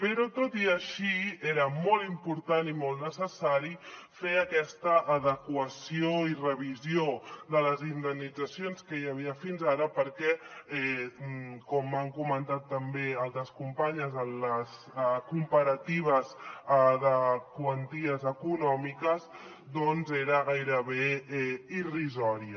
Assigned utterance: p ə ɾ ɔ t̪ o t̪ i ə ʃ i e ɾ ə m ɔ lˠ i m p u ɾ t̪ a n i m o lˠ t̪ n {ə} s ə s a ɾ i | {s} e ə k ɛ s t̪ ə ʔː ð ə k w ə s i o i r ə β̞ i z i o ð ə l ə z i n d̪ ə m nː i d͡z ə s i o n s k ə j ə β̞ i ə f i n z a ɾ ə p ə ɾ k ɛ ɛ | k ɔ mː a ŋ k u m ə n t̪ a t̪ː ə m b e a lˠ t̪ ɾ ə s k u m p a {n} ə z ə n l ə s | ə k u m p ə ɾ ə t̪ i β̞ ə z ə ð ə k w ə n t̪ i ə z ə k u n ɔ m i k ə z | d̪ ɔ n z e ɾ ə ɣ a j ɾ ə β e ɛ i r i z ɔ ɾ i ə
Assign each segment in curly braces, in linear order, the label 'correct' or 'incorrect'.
correct, incorrect: f, incorrect: ɲ

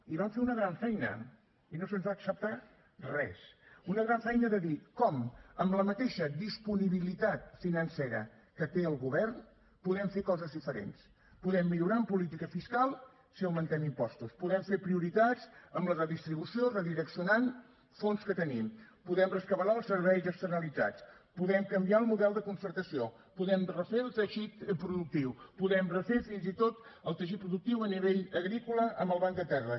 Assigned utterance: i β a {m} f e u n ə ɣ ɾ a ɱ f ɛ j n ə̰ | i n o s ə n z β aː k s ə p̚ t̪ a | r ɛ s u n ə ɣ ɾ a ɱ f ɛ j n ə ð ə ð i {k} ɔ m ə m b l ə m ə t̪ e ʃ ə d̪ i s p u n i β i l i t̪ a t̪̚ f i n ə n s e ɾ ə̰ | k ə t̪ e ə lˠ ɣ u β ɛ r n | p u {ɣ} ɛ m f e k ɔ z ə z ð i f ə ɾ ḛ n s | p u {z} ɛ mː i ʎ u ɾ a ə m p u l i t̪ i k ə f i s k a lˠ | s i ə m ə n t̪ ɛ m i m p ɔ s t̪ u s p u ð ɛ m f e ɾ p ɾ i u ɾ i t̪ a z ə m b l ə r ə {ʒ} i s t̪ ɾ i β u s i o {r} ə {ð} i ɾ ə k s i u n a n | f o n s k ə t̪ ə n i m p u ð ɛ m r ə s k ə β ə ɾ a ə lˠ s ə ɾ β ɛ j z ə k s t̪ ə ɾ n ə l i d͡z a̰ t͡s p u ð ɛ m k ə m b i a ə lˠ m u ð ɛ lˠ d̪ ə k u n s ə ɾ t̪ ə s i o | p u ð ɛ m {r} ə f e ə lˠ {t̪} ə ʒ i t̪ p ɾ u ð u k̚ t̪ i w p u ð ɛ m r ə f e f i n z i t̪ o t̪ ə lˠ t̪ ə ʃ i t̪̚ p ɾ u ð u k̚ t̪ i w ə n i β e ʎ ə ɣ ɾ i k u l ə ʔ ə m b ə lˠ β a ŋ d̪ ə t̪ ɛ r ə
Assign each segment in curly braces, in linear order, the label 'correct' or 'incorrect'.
correct, correct, incorrect: ð, incorrect: ð, incorrect: ð, correct, correct, correct, correct

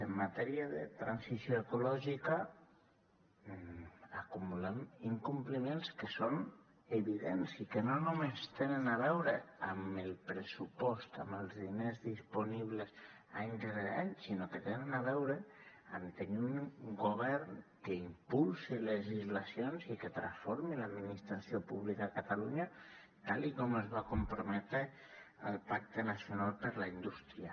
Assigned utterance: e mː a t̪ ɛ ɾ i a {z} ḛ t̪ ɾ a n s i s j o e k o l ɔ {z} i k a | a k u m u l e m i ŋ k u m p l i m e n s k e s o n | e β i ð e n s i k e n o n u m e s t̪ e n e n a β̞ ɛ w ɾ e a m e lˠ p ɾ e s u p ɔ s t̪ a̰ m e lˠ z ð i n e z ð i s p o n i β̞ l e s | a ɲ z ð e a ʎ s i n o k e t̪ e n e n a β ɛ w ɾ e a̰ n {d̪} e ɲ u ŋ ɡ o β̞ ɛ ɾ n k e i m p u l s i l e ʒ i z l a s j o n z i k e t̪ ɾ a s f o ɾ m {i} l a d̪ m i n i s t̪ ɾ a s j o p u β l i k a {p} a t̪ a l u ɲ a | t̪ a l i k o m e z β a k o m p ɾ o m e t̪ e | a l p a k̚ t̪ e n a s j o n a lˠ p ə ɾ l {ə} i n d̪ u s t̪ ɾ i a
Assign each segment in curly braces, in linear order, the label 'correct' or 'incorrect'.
incorrect: ð, incorrect: ʒ, incorrect: t̪, correct, incorrect: k, incorrect: a

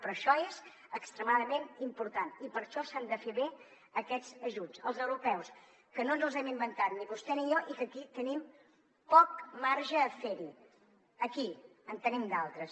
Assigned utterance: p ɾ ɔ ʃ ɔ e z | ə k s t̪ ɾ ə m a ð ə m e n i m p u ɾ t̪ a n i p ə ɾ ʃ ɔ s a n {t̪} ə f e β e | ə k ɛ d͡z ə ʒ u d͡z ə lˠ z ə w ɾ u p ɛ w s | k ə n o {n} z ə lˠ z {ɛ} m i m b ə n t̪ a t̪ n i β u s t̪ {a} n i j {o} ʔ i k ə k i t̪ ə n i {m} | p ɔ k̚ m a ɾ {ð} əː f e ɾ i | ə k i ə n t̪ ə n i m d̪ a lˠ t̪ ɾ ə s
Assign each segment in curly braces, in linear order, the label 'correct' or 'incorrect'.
incorrect: d̪, correct, correct, incorrect: ɛ, incorrect: ɔ, correct, incorrect: ʒ

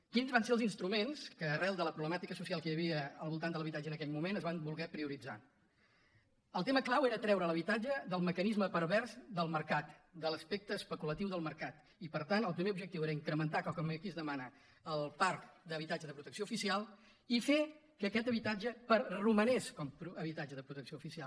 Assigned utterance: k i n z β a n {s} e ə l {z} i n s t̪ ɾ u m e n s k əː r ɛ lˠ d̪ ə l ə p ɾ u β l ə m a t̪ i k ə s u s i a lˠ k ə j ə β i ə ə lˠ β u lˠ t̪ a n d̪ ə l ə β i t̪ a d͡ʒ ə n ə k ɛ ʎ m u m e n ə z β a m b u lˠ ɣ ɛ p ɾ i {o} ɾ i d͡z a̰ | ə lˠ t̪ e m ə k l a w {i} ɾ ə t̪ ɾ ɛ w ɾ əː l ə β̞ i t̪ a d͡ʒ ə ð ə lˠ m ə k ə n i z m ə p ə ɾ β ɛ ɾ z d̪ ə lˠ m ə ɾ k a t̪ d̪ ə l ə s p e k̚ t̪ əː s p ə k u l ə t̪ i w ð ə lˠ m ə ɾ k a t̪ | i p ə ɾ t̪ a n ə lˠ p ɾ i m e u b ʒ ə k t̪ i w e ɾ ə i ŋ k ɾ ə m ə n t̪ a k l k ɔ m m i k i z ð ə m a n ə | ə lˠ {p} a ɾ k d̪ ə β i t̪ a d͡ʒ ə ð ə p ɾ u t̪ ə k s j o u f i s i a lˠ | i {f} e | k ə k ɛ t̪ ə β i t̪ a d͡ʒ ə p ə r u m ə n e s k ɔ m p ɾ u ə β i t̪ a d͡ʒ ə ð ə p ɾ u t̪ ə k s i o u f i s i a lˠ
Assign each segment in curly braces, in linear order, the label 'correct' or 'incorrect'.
correct, correct, incorrect: u, incorrect: e, correct, correct

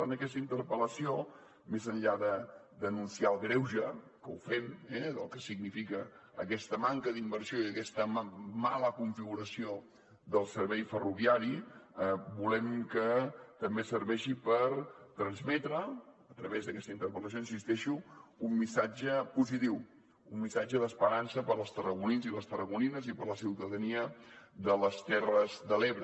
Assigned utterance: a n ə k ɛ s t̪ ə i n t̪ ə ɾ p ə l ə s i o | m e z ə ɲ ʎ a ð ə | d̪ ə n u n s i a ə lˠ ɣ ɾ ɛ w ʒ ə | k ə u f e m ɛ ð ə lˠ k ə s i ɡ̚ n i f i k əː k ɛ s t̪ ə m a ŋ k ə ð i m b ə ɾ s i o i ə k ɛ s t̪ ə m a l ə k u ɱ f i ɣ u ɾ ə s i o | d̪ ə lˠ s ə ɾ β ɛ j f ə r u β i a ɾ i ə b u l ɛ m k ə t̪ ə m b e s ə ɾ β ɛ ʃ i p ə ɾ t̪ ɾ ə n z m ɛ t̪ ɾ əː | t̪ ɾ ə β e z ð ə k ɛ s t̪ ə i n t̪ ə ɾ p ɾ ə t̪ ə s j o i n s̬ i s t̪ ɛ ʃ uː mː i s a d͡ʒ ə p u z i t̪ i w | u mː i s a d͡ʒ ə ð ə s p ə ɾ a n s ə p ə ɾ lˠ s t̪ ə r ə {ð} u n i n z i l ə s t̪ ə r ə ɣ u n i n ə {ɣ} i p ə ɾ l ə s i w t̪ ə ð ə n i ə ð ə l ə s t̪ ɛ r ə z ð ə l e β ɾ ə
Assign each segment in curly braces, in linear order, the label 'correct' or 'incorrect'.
incorrect: ɣ, incorrect: z

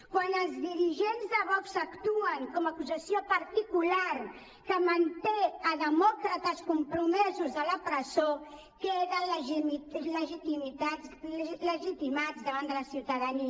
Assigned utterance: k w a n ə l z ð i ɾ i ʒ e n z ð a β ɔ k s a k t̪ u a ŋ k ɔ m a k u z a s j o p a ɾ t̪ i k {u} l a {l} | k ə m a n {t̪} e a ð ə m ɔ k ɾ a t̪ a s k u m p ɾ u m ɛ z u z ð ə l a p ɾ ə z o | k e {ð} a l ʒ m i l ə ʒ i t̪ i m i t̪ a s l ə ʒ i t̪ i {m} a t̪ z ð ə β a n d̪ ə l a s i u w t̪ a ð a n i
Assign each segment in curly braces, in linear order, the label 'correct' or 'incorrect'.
correct, incorrect: ɾ, correct, correct, correct

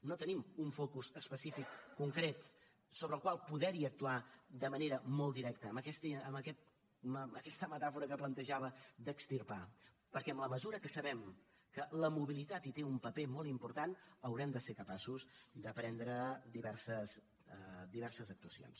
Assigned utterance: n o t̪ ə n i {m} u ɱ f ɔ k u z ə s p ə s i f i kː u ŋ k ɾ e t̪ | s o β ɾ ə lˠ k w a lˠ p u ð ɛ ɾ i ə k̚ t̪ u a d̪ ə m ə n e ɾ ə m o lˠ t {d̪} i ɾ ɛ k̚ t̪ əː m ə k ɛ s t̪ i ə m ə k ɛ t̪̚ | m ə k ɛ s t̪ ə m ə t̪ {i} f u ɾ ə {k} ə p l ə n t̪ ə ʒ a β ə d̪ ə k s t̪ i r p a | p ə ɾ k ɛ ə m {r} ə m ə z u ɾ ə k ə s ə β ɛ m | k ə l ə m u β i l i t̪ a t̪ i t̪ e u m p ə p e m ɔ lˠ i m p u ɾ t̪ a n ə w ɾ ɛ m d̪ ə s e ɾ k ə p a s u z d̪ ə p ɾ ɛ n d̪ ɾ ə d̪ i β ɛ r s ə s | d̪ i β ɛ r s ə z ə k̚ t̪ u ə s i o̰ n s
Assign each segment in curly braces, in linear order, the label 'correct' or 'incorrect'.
correct, correct, incorrect: a, correct, incorrect: l

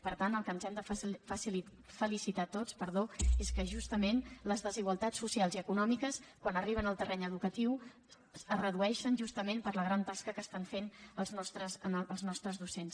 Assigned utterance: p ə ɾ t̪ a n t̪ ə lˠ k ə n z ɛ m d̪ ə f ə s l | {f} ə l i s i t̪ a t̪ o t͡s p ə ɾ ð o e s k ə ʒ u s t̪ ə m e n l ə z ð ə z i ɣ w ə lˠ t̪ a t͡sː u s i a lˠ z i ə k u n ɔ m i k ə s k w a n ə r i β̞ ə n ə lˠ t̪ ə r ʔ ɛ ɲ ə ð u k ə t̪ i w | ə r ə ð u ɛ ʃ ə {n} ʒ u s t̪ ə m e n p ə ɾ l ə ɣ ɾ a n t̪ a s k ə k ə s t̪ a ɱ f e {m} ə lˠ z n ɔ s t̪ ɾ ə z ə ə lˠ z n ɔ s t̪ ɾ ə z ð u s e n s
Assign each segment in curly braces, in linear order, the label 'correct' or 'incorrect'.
correct, correct, incorrect: n

